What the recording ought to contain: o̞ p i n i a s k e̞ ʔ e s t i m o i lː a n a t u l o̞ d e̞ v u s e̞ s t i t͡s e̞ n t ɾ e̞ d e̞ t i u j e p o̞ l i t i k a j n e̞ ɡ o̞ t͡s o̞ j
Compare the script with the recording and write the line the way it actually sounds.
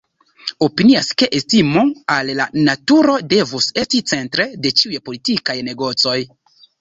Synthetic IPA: o̞ p i n i a s k e̞ ʔ e s t i m o a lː a n a t u ɾ o̞ d e̞ v u s e̞ s t i t͡s e̞ n t ɾ e̞ d e̞ t͡ʃ i u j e p o̞ l i t i k a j n e̞ ɡ o̞ t͡s o̞ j